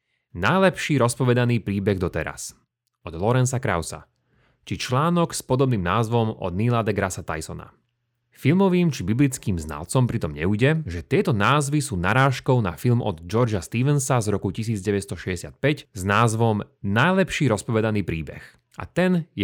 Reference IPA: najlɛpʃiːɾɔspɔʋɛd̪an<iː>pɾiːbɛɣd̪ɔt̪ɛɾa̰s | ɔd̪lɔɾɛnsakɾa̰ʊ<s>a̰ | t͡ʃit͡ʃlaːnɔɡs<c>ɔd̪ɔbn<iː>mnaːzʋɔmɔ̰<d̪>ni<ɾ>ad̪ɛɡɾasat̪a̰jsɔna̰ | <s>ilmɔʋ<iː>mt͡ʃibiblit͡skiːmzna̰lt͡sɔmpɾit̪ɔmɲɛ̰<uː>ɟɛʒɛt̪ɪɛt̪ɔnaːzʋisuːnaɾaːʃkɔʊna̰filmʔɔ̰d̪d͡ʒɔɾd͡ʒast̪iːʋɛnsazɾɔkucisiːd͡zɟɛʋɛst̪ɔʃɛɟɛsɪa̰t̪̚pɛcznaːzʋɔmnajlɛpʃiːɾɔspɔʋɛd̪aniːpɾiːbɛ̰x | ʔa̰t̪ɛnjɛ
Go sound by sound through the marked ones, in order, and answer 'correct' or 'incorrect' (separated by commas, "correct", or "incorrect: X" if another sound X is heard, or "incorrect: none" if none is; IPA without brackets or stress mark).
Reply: correct, correct, incorrect: p, correct, correct, incorrect: l, incorrect: f, correct, incorrect: u